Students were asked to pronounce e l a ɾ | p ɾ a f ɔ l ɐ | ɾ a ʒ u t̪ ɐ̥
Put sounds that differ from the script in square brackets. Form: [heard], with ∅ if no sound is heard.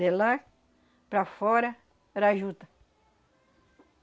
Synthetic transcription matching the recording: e l a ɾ | p ɾ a f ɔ [ɾ] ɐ | ɾ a ʒ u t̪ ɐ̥

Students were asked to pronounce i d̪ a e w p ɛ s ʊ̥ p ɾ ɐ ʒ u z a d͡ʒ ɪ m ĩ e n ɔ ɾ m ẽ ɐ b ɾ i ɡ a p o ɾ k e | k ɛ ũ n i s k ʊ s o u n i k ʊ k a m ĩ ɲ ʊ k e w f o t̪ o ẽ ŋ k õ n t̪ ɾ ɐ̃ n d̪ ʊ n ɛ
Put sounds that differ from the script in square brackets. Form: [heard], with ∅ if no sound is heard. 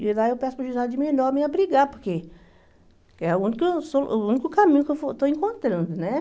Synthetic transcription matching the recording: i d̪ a e w p ɛ s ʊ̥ p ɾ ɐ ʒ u z a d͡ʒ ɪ m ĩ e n ɔ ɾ m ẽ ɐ b ɾ i ɡ a p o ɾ k e | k ɛ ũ n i [∅] k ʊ s o u n i k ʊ k a m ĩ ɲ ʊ k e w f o t̪ o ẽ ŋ k õ n t̪ ɾ ɐ̃ n d̪ ʊ n ɛ

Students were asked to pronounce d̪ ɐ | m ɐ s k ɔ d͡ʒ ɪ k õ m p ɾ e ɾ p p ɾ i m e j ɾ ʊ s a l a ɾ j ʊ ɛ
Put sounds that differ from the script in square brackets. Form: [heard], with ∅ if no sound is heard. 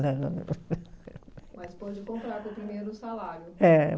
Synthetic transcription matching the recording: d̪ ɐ | m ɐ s [p] ɔ d͡ʒ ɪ k õ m p ɾ [a] ɾ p p ɾ i m e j ɾ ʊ s a l a ɾ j ʊ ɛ

